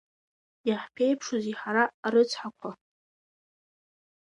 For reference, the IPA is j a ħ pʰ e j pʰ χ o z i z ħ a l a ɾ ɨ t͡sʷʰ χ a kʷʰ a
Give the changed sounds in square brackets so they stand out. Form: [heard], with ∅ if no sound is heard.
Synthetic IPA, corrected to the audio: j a ħ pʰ e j pʰ [ʂ] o z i [∅] ħ a [ɾ] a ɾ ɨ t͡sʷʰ [ħ] a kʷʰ a